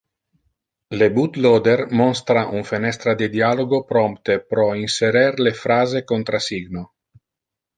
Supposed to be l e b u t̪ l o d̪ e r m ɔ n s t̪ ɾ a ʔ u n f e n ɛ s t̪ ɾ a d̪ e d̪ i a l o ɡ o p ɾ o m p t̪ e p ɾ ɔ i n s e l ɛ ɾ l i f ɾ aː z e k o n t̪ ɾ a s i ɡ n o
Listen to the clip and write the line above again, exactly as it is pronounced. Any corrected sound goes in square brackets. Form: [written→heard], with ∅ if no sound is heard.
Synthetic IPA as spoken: l e b u t̪ l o d̪ e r m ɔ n s t̪ ɾ a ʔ u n f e n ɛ s t̪ ɾ a d̪ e d̪ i a l o ɡ o p ɾ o m p t̪ e p ɾ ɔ i n s e [l→ɾ] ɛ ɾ l [i→e] f ɾ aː z e k o n t̪ ɾ a s i ɡ n o